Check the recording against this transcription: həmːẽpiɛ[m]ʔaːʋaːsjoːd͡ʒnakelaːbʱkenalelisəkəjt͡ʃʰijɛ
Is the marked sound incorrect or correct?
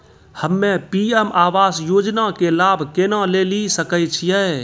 correct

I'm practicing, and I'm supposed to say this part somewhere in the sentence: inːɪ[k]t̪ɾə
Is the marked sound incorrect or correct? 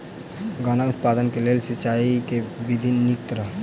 correct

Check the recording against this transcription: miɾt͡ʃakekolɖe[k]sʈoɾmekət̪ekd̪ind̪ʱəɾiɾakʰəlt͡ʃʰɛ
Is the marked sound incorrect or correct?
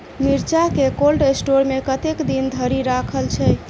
incorrect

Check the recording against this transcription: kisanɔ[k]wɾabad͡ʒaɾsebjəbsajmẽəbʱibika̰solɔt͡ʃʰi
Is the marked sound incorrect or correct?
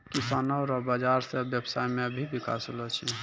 incorrect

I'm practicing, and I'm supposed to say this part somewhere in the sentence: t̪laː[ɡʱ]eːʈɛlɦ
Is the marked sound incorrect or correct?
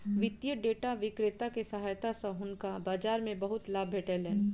incorrect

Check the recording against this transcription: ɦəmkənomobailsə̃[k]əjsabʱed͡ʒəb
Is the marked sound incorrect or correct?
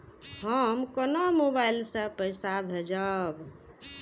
incorrect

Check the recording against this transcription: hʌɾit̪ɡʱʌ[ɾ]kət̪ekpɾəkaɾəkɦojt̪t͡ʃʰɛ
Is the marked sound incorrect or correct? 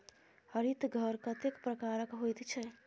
correct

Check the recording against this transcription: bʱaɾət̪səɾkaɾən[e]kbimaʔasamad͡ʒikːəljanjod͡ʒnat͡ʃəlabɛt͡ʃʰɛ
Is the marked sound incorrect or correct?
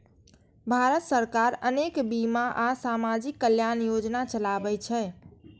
correct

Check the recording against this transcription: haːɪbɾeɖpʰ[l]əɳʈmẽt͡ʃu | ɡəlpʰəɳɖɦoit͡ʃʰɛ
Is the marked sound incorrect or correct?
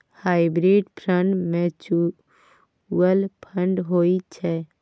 incorrect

